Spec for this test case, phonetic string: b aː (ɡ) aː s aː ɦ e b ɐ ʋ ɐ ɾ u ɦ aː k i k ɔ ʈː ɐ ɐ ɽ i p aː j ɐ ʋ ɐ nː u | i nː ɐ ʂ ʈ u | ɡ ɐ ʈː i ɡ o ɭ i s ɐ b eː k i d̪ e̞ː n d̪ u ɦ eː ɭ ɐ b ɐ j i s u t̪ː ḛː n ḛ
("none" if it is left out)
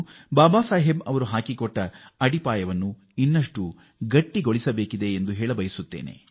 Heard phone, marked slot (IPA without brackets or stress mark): b